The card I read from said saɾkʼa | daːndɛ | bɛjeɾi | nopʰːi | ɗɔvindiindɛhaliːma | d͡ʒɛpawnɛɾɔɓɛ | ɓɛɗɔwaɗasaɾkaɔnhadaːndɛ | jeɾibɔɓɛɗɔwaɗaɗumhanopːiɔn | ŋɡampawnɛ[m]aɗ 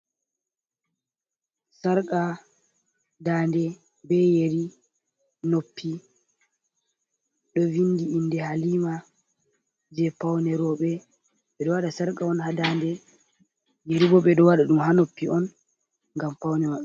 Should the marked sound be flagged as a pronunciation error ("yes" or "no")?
no